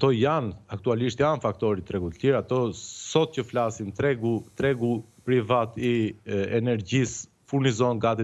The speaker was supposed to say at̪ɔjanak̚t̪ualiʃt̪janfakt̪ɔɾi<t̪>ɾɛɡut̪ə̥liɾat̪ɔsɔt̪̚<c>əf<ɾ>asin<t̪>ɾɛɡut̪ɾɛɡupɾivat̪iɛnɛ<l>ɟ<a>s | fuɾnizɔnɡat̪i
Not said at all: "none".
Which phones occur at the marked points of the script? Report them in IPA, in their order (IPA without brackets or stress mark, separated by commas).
t̪, c, l, t̪, ɾ, i